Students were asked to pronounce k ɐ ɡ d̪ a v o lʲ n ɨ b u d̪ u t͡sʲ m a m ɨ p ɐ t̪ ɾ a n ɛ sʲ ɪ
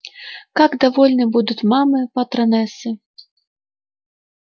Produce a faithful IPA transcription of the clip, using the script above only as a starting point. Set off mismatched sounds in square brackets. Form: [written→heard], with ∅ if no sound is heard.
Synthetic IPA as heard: k [ɐ→a] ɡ d̪ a v [o→ɔ] lʲ n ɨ b u d̪ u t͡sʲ m a m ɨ p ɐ t̪ ɾ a n ɛ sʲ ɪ